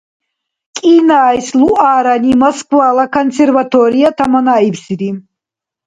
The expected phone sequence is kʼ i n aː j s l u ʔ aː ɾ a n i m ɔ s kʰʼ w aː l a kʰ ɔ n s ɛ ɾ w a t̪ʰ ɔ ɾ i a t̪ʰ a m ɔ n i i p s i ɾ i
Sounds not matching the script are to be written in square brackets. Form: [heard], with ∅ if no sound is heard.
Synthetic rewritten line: kʼ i n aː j s l u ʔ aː ɾ a n i m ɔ s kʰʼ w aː l a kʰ ɔ n s ɛ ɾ [v] a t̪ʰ ɔ ɾ i a t̪ʰ a m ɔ n [a] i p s i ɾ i